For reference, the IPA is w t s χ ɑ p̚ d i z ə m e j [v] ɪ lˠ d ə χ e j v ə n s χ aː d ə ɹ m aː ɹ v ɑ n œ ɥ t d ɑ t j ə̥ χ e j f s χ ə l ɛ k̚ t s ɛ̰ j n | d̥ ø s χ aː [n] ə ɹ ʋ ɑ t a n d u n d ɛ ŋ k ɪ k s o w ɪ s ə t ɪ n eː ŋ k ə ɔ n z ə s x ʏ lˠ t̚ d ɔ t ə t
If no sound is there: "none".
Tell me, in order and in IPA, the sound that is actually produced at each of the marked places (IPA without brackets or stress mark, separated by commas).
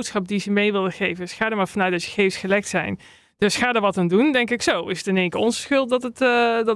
ʋ, d